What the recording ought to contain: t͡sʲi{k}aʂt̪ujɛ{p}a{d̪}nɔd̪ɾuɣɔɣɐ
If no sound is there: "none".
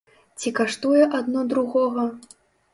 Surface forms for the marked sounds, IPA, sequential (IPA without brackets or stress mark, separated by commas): k, ʔ, d̪